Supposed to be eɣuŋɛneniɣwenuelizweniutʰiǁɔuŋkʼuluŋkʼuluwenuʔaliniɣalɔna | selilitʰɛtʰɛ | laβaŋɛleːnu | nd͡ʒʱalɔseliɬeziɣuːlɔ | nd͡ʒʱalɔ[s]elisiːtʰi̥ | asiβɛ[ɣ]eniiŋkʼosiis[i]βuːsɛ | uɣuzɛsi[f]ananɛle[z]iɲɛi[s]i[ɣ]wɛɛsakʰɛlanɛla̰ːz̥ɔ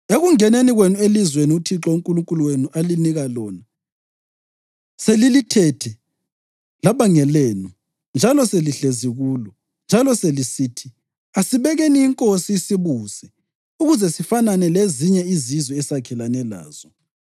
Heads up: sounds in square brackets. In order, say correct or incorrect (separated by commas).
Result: correct, correct, correct, correct, correct, incorrect, incorrect